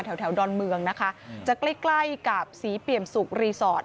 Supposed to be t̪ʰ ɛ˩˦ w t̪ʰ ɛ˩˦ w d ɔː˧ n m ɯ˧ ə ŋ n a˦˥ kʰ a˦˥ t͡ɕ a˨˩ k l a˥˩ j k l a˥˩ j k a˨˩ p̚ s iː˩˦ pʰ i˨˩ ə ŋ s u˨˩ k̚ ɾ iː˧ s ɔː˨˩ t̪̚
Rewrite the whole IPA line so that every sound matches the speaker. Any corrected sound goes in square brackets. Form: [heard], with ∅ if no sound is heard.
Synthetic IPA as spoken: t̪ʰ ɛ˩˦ w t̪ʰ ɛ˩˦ w d ɔː˧ n m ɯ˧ ə ŋ n a˦˥ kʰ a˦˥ t͡ɕ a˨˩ k l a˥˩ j k l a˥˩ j k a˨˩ p̚ s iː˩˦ [p] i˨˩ ə [m] s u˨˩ k̚ ɾ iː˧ s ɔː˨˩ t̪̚

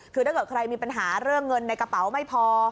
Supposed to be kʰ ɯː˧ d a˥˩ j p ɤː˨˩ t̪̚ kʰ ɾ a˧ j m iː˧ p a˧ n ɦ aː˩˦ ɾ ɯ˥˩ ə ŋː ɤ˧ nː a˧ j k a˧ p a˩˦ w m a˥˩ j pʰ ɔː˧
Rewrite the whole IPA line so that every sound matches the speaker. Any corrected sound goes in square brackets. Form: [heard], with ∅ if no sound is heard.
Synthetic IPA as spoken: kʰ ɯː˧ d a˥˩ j [k] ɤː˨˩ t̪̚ kʰ ɾ a˧ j m iː˧ p a˧ n ɦ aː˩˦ ɾ ɯ˥˩ ə ŋː ɤ˧ nː a˧ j k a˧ p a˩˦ w m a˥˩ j pʰ ɔː˧

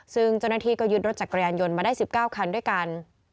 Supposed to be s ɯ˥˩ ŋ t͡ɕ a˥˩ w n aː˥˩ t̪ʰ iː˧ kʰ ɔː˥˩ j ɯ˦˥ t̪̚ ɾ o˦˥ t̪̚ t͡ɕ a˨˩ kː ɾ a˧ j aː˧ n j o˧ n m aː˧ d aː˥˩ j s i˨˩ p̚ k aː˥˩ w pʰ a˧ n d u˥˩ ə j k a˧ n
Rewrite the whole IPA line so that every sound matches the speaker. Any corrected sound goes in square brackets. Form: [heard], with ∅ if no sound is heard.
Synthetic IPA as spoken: s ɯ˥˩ ŋ t͡ɕ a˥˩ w n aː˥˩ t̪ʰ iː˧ [k] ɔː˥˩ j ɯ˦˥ t̪̚ ɾ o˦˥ t̪̚ t͡ɕ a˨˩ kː ɾ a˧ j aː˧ n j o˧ n m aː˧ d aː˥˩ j s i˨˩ p̚ k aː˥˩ w [kʰ] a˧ n d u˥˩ ə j k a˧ n

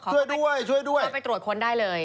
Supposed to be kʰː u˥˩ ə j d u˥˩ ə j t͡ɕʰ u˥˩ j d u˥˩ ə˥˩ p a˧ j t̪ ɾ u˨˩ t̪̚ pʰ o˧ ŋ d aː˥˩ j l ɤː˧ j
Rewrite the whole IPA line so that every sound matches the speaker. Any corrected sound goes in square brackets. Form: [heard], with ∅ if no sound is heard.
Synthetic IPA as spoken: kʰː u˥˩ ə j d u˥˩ ə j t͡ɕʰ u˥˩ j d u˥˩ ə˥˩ p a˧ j t̪ ɾ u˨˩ t̪̚ [kʰ] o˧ [n] d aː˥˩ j l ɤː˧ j

